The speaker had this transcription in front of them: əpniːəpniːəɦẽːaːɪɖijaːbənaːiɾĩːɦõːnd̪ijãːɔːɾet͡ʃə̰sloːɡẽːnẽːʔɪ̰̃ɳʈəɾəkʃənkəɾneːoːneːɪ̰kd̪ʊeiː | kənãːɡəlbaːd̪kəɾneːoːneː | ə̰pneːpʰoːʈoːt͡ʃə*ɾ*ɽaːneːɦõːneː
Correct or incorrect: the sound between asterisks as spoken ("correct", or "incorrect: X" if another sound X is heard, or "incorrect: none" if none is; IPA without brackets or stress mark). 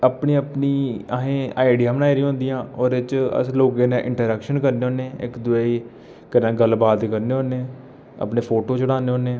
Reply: incorrect: none